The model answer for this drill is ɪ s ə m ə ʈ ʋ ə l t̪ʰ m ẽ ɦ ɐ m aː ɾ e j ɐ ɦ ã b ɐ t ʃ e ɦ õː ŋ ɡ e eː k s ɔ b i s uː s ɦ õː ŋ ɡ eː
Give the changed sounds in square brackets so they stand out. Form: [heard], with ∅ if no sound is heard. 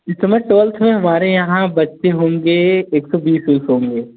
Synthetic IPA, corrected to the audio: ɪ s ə m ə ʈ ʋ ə l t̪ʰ m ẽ ɦ ɐ m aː ɾ e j ɐ ɦ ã b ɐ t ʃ e ɦ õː ŋ ɡ e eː k s ɔ b [iː] s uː s ɦ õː ŋ ɡ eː